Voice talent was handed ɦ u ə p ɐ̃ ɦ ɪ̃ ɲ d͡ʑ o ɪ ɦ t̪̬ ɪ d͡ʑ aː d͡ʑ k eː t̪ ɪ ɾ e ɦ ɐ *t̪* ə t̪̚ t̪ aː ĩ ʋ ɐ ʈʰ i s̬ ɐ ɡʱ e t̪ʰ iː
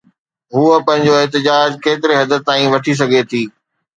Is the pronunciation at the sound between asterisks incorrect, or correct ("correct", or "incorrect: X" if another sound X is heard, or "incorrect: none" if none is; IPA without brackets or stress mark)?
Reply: incorrect: d̪